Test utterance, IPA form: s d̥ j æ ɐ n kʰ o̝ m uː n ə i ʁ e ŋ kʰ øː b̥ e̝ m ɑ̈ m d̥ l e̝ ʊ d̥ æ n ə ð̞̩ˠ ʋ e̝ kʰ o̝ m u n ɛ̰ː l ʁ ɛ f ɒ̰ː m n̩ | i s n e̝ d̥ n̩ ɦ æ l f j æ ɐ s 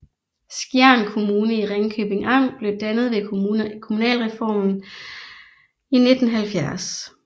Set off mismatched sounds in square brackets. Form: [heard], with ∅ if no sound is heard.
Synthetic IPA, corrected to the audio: s [ɡ̥] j æ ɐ n kʰ o̝ m uː n ə i ʁ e ŋ kʰ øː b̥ e̝ [ŋ] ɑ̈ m [b̥] l e̝ ʊ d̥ æ n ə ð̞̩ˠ ʋ e̝ kʰ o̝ m u n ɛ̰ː l ʁ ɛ f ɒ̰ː m n̩ | i [∅] n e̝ d̥ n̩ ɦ æ l f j æ ɐ s